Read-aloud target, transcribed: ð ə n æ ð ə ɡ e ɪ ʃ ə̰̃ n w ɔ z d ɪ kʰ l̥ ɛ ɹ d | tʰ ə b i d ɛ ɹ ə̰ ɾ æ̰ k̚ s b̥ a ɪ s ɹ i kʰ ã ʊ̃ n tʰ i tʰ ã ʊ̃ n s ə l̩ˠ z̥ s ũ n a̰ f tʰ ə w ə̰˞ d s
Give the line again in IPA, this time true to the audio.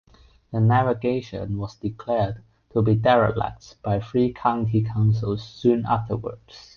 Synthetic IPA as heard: ð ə n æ v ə ɡ e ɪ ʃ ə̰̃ n w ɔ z d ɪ kʰ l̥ ɛ ɹ d | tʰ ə b i d ɛ ɹ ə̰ l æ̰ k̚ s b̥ a ɪ f ɹ i kʰ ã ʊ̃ n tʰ i kʰ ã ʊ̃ n s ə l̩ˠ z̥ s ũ n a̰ f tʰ ə w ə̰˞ d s

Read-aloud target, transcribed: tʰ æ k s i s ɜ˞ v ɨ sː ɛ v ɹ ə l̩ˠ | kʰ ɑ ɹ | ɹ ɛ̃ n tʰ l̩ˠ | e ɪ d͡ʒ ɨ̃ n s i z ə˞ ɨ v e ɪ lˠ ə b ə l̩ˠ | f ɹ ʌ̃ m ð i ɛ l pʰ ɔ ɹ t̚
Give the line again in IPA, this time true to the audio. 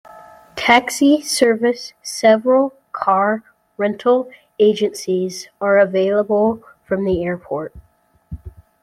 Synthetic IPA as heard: tʰ æ k s i s ɜ˞ v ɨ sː ɛ v ɹ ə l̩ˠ | kʰ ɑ ɹ | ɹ ɛ̃ n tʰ l̩ˠ | e ɪ d͡ʒ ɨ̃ n s i z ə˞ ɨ v e ɪ lˠ ə b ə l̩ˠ | f ɹ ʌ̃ m ð i ɛ ɹ pʰ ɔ ɹ t̚

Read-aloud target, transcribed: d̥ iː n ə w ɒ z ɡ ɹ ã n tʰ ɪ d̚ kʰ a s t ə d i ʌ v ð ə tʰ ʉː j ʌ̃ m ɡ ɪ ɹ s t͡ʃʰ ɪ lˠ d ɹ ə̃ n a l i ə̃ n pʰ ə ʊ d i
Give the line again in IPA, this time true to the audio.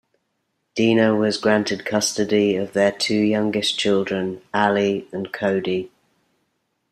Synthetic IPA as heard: d̥ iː n ə w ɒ z ɡ ɹ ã n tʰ ɪ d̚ kʰ ʌ s t ə d i ə v ð ə tʰ ʉː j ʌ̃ ŋ ɡ ɪ s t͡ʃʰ ɪ lˠ d ɹ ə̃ n a l i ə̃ n kʰ ə ʊ d i

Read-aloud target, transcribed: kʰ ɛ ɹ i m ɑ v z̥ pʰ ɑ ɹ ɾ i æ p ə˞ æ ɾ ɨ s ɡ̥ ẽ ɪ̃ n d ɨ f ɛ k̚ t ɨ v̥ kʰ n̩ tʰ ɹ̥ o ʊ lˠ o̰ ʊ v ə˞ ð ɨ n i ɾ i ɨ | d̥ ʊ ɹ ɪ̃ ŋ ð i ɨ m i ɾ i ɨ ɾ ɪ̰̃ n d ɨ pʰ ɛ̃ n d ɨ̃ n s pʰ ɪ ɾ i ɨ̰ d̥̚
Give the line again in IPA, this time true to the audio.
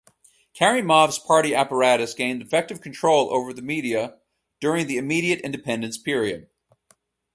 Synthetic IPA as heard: kʰ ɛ ɹ i m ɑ v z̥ pʰ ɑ ɹ ɾ i æ p ə˞ æ ɾ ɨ s ɡ̥ ẽ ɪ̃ n d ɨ f ɛ k̚ t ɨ v̥ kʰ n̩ tʰ ɹ̥ o ʊ lˠ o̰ ʊ v ə˞ ð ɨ m i ɾ i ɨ | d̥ ʊ ɹ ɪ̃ ŋ ð i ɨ m i ɾ i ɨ ɾ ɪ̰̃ n d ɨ pʰ ɛ̃ n d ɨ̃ n s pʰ ɪ ɹ i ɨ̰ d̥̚

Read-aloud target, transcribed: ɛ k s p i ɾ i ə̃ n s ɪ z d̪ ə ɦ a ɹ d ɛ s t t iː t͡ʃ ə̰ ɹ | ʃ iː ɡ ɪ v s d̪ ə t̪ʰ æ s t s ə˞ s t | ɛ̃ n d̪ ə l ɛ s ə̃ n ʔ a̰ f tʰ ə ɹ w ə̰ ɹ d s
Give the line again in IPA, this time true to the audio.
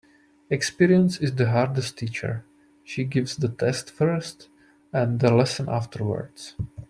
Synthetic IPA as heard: ɛ k s p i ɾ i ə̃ n s ɪ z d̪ ə ɦ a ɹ d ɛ s t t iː t͡ʃ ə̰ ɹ | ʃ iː ɡ ɪ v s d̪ ə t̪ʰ ɛ s t f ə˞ s t | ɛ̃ n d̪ ə l ɛ s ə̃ n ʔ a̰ f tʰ ə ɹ w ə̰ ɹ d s

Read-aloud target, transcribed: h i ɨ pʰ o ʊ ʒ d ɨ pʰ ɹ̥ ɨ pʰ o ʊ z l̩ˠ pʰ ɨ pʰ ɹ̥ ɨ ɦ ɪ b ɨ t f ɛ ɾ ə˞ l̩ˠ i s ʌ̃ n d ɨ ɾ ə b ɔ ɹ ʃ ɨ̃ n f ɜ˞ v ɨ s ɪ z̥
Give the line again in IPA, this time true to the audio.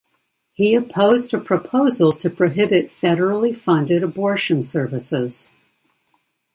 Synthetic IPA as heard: h i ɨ pʰ o ʊ z d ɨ pʰ ɹ̥ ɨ pʰ o ʊ z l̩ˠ tʰ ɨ pʰ ɹ̥ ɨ ɦ ɪ b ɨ t f ɛ ɾ ə˞ l̩ˠ i f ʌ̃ n d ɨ ɾ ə b ɔ ɹ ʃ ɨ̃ n s ɜ˞ v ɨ s ɪ z̥

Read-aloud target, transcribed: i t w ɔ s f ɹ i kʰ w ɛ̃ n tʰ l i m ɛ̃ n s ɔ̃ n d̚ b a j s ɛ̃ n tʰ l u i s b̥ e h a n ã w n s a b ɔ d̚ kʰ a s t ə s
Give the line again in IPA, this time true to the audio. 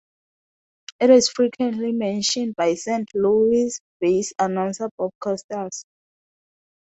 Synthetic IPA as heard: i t w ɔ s f ɹ i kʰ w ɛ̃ n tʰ l i m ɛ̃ n ʃ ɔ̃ n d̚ b a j s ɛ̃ n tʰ l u i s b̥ e s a n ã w n s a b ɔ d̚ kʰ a s t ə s

